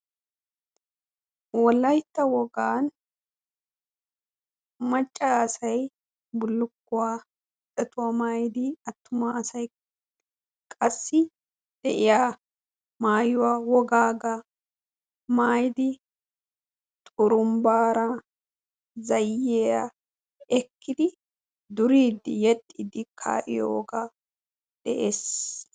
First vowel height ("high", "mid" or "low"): mid